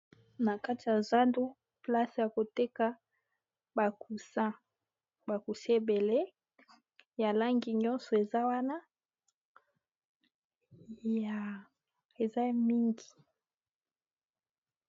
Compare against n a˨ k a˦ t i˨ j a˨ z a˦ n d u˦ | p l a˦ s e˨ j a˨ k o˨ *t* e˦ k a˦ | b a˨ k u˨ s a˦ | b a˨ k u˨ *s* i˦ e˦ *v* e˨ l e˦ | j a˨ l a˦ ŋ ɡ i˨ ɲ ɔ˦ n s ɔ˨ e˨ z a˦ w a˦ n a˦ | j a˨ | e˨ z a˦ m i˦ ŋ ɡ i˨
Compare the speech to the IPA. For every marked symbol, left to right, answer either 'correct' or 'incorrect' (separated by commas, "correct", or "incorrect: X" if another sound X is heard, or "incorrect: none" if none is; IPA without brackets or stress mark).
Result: correct, correct, incorrect: b